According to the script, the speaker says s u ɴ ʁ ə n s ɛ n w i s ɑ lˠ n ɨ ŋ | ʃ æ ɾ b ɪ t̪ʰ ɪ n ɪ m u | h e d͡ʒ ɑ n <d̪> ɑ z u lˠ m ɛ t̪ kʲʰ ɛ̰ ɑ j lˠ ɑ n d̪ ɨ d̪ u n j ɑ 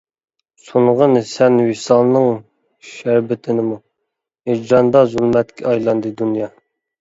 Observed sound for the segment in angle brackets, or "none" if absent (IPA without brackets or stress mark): d̪